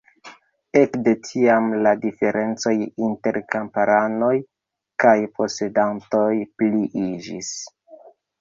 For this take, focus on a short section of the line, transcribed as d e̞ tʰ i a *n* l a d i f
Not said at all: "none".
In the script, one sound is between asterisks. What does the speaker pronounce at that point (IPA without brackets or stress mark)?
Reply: m